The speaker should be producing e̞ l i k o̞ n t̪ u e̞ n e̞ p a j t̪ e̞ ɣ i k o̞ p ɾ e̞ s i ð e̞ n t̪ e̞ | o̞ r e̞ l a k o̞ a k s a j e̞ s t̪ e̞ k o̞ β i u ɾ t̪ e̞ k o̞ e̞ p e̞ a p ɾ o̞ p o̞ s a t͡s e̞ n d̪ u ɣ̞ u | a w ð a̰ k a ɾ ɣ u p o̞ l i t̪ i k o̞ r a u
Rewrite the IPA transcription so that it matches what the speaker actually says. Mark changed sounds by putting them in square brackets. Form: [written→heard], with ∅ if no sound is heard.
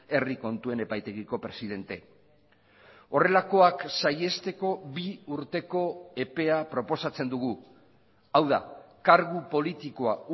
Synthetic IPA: e̞ [l→r] i k o̞ n t̪ u e̞ n e̞ p a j t̪ e̞ ɣ i k o̞ p ɾ e̞ s i ð e̞ n t̪ e̞ | o̞ r e̞ l a k o̞ a k s a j e̞ s t̪ e̞ k o̞ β i u ɾ t̪ e̞ k o̞ e̞ p e̞ a p ɾ o̞ p o̞ s a t͡s e̞ n d̪ u ɣ̞ u | a w ð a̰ k a ɾ ɣ u p o̞ l i t̪ i k o̞ [r→∅] a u

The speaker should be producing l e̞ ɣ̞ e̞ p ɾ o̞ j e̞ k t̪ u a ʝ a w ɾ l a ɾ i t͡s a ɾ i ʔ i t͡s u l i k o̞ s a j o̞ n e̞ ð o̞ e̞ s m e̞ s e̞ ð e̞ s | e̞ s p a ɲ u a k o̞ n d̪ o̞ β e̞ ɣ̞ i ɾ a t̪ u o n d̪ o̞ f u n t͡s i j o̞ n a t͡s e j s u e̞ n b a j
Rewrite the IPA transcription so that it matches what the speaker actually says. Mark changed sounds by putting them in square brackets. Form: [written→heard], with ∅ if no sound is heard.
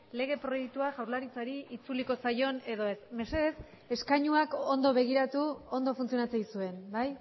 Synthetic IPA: l e̞ ɣ̞ e̞ p ɾ o̞ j e̞ k t̪ u a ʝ a w ɾ l a ɾ i t͡s a ɾ i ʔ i t͡s u l i k o̞ s a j o̞ n e̞ ð o̞ e̞ s m e̞ s e̞ ð e̞ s | e̞ s [p→k] a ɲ u a k o̞ n d̪ o̞ β e̞ ɣ̞ i ɾ a t̪ u o n d̪ o̞ f u n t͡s i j o̞ n a t͡s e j s u e̞ n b a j

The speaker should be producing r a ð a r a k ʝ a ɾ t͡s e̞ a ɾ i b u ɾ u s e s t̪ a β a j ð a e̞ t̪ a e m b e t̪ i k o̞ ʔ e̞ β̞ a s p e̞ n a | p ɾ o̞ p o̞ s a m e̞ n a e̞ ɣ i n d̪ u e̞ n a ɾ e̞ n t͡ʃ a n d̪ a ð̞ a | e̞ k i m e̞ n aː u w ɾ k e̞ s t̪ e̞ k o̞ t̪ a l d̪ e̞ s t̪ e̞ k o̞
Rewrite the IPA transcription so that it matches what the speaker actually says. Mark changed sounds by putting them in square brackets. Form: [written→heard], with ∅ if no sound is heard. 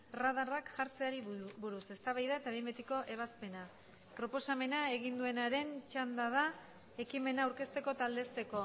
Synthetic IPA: r a ð a r a k ʝ a ɾ t͡s e̞ a ɾ i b u ɾ u s e s t̪ a β a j ð a e̞ t̪ a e m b e t̪ i k o̞ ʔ e̞ β̞ a s p e̞ n a | p ɾ o̞ p o̞ s a m e̞ n a e̞ ɣ i n d̪ u e̞ n a ɾ e̞ n t͡ʃ a n d̪ a ð̞ a | e̞ k i m e̞ n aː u w ɾ k e̞ s t̪ e̞ k o̞ t̪ a l d̪ e̞ s t̪ e̞ k o̞

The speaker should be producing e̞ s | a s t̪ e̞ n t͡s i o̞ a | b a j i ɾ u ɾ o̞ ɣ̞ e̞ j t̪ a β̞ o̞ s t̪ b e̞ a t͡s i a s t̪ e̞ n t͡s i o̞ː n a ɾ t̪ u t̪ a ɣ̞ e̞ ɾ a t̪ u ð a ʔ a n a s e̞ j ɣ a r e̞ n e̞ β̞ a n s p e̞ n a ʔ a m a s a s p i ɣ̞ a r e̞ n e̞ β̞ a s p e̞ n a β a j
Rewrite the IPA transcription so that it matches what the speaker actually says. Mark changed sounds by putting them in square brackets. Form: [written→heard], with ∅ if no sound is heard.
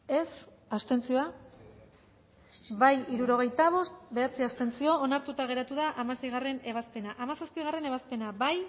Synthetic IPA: e̞ s | a s t̪ e̞ n t͡s i o̞ a | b a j i ɾ u ɾ o̞ ɣ̞ e̞ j t̪ a β̞ o̞ s t̪ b e̞ a t͡s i a s t̪ e̞ n t͡s i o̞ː n a ɾ t̪ u t̪ a ɣ̞ e̞ ɾ a t̪ u ð a ʔ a [n→m] a s e̞ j ɣ a r e̞ n e̞ β̞ a [n→∅] s p e̞ n a ʔ a m a s a s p i ɣ̞ a r e̞ n e̞ β̞ a s p e̞ n a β a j

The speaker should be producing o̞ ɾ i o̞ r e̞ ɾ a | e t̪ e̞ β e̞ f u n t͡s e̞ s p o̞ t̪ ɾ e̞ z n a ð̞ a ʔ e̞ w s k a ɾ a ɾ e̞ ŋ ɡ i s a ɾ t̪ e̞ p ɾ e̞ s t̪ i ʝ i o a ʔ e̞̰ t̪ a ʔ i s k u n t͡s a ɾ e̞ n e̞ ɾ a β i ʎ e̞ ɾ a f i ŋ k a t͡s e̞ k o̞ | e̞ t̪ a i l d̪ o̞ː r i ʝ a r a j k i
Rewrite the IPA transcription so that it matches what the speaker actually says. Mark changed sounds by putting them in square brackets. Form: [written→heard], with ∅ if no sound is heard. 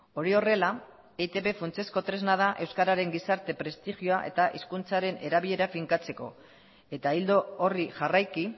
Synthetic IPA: o̞ ɾ i o̞ r e̞ [ɾ→l] a | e t̪ e̞ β e̞ f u n t͡s e̞ s [p→k] o̞ t̪ ɾ e̞ z n a ð̞ a ʔ e̞ w s k a ɾ a ɾ e̞ ŋ ɡ i s a ɾ t̪ e̞ p ɾ e̞ s t̪ i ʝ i o a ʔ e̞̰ t̪ a ʔ i s k u n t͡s a ɾ e̞ n e̞ ɾ a β i ʎ e̞ ɾ a f i ŋ k a t͡s e̞ k o̞ | e̞ t̪ a i l d̪ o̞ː r i ʝ a r a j k i

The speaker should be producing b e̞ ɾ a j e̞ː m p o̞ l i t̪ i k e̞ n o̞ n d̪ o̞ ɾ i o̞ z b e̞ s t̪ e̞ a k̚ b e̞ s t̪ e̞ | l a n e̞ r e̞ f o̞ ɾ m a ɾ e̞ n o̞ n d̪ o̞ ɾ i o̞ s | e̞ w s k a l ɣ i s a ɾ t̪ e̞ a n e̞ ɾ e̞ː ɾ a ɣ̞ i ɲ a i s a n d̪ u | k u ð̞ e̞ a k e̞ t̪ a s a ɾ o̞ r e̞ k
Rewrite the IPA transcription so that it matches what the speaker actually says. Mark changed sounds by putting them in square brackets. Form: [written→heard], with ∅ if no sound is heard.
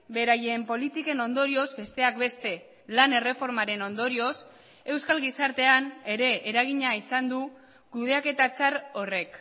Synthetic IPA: b e̞ ɾ a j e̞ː m p o̞ l i t̪ i k e̞ n o̞ n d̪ o̞ ɾ i o̞ z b e̞ s t̪ e̞ a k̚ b e̞ s t̪ e̞ | l a n e̞ r e̞ f o̞ ɾ m a ɾ e̞ n o̞ n d̪ o̞ ɾ i o̞ s | e̞ w s k a l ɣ i s a ɾ t̪ e̞ a n e̞ ɾ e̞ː ɾ a ɣ̞ i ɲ a i s a n d̪ u | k u ð̞ e̞ a k e̞ t̪ a [s→t͡s] a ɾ o̞ r e̞ k

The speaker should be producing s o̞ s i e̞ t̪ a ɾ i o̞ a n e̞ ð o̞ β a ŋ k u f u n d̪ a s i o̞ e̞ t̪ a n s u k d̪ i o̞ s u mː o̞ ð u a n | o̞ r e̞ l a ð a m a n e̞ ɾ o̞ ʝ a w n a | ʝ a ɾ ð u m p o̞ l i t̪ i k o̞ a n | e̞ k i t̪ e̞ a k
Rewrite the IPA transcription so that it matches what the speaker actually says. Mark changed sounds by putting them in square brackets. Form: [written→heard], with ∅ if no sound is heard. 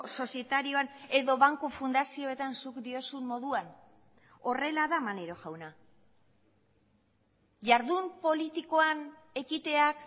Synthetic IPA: s o̞ s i e̞ t̪ a ɾ i o̞ a n e̞ ð o̞ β a ŋ k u f u n d̪ a s i o̞ e̞ t̪ a n s u k d̪ i o̞ s u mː o̞ ð u a n | o̞ r e̞ l a ð a m a n e̞ ɾ o̞ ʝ a w n a | ʝ a ɾ ð u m p o̞ l i t̪ i k o̞ a n | e̞ k i t̪ e̞ a k

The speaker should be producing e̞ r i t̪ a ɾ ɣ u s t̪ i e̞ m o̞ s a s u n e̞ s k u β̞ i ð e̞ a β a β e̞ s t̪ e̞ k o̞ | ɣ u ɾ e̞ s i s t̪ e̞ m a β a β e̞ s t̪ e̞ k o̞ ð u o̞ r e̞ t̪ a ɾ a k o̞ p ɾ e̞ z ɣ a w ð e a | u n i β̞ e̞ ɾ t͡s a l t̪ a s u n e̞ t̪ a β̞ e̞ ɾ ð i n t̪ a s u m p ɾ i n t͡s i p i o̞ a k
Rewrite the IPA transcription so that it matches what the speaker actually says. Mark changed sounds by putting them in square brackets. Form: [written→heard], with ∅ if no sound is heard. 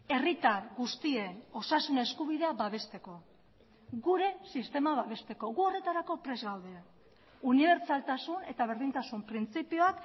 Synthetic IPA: e̞ r i t̪ a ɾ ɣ u s t̪ i e̞ [m→n] o̞ s a s u n e̞ s k u β̞ i ð e̞ a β a β e̞ s t̪ e̞ k o̞ | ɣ u ɾ e̞ s i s t̪ e̞ m a β a β e̞ s t̪ e̞ k o̞ [ð→ɣ] u o̞ r e̞ t̪ a ɾ a k o̞ p ɾ e̞ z ɣ a w ð e a | u n i β̞ e̞ ɾ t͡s a l t̪ a s u n e̞ t̪ a β̞ e̞ ɾ ð i n t̪ a s u m p ɾ i n t͡s i p i o̞ a k

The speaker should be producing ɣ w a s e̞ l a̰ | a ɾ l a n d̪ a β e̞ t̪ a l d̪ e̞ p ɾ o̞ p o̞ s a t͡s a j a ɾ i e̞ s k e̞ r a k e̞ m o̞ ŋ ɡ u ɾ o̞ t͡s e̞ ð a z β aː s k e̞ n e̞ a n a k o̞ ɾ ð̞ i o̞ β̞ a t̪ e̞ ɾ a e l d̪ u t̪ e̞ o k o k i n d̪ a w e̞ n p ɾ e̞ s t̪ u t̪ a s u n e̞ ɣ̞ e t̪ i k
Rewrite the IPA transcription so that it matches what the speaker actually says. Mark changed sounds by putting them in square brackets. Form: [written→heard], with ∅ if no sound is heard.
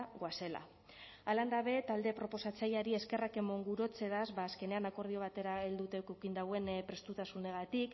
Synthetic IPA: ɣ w a s e̞ l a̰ | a [ɾ→∅] l a n d̪ a β e̞ t̪ a l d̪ e̞ p ɾ o̞ p o̞ s a t͡s a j a ɾ i e̞ s k e̞ r a k e̞ m o̞ ŋ ɡ u ɾ o̞ t͡s e̞ ð a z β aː s k e̞ n e̞ a n a k o̞ ɾ ð̞ i o̞ β̞ a t̪ e̞ ɾ a e l d̪ u t̪ e̞ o k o k i n d̪ a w e̞ n p ɾ e̞ s t̪ u t̪ a s u n e̞ ɣ̞ [e→a] t̪ i k

